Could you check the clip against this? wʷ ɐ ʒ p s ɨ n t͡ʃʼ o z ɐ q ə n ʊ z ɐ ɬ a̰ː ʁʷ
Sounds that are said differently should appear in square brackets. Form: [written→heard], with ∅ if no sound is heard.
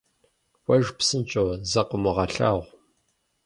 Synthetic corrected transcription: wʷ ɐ ʒ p s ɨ n t͡ʃʼ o z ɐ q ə [n→m] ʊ [z→ʁ] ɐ ɬ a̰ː ʁʷ